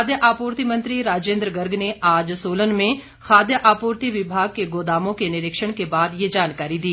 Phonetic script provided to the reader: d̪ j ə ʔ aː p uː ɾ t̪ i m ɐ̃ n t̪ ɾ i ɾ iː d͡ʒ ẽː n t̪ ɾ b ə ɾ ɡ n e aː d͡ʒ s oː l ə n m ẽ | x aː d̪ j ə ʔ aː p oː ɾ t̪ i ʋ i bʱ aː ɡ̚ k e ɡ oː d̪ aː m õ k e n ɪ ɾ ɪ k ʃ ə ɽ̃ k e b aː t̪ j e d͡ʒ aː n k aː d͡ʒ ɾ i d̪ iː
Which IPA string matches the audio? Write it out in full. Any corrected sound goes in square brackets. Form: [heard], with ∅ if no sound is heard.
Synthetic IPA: d̪ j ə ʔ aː p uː ɾ t̪ i m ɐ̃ n t̪ ɾ i ɾ [aː] d͡ʒ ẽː n [d̪] ɾ [ɡ] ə ɾ ɡ n e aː d͡ʒ s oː l ə n m ẽ | x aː d̪ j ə ʔ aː p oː ɾ t̪ i ʋ [ɪ] bʱ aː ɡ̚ k e ɡ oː d̪ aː m õ k e n ɪ ɾ ɪ k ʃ ə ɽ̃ k e b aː [d̪] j e d͡ʒ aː n k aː [∅] ɾ i d̪ iː